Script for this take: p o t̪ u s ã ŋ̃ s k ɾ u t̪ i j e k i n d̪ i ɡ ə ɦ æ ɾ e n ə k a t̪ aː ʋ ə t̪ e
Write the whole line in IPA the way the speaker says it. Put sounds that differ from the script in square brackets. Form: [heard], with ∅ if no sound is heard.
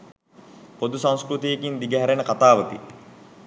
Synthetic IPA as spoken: p o [d̪] u s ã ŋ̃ s k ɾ u t̪ i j e k i n d̪ i ɡ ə ɦ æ ɾ e n ə k a t̪ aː ʋ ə t̪ [i]